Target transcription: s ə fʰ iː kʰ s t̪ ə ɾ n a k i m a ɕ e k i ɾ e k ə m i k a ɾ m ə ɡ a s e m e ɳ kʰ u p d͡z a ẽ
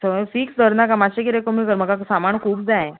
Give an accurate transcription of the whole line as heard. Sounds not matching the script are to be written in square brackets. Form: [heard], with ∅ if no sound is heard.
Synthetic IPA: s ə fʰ iː [k] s [d̪] ə ɾ n a k [a] m a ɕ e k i ɾ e k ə m i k [ə] ɾ m ə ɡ a s [a] m [a] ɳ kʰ [uː] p d͡z a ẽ